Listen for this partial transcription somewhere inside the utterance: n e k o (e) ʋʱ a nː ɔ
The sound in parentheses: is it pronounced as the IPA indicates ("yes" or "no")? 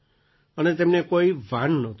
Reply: no